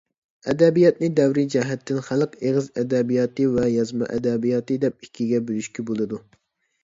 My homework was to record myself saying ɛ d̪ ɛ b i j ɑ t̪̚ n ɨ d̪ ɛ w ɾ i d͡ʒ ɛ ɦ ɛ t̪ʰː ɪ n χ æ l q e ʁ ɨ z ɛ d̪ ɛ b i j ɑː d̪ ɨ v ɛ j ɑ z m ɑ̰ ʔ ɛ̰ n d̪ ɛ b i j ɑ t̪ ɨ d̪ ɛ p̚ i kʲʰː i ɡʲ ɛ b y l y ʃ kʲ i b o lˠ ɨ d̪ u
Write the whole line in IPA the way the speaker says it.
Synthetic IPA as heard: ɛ d̪ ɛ b i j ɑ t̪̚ n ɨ d̪ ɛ w ɾ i d͡ʒ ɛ ɦ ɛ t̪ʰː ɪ n χ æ l q e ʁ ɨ z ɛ d̪ ɛ b i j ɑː t̪ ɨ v ɛ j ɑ z m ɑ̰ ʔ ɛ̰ d̪ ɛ b i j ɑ t̪ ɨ d̪ ɛ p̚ i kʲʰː i ɡʲ ɛ b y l y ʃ kʲ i b o lˠ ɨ d̪ u